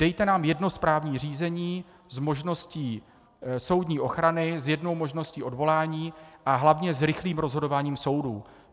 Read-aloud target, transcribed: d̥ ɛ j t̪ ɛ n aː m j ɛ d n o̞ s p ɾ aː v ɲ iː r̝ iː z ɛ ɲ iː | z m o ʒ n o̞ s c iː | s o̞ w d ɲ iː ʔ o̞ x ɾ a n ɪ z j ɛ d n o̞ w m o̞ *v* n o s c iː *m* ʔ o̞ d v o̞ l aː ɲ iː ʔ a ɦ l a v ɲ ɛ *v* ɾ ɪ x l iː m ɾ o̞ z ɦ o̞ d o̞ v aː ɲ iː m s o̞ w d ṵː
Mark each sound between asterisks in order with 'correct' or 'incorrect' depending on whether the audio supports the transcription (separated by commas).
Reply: incorrect, incorrect, incorrect